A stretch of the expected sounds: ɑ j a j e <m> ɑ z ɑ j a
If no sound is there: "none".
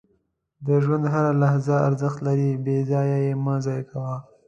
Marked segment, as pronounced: m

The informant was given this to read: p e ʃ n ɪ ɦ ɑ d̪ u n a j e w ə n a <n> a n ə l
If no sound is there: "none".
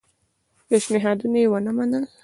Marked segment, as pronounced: m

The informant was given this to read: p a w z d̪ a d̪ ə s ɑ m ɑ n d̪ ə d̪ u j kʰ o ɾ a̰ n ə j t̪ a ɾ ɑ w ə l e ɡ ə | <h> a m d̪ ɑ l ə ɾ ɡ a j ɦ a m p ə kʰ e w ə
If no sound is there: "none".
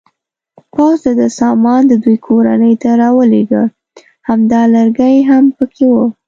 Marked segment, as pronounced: h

